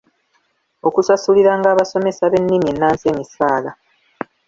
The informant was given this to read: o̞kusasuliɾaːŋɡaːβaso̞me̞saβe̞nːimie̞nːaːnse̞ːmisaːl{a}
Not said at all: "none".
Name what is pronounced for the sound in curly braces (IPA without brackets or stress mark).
a